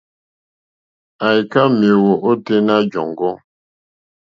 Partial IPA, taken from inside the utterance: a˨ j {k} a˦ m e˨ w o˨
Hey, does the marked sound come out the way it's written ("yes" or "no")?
yes